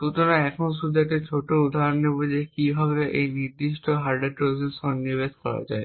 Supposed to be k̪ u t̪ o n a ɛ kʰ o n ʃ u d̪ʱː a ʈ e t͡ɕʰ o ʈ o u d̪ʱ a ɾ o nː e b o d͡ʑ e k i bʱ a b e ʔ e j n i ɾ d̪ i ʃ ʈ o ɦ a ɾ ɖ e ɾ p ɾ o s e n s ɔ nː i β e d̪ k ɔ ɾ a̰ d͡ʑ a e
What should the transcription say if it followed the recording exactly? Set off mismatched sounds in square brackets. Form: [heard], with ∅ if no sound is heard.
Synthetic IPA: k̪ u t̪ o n a ɛ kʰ o n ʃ u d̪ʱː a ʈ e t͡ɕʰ o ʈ o u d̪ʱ a ɾ o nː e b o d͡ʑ e k i bʱ a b e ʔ e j n i ɾ d̪ i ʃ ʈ o ɦ a ɾ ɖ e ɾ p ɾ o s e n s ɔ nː i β e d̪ k ɔ ɾ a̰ d͡ʑ a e